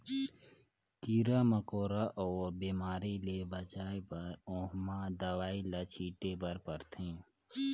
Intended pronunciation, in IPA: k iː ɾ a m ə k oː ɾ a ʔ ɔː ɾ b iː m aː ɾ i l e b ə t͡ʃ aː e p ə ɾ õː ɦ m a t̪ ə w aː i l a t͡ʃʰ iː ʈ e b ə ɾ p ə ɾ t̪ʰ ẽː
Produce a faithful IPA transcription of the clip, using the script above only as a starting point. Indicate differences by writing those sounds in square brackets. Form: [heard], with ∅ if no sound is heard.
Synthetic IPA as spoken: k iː ɾ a m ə k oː ɾ a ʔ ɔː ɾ b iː m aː ɾ i l e b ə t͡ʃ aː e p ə ɾ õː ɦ m a [d̪] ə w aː i l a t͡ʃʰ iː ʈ e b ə ɾ p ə ɾ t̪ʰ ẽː